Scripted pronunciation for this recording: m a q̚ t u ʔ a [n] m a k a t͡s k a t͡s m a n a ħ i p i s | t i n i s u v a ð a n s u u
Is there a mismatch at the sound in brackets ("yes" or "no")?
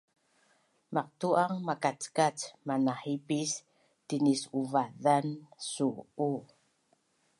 yes